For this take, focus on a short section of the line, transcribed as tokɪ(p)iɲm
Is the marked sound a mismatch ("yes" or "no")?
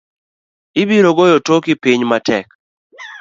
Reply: no